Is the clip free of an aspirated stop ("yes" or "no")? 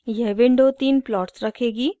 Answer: no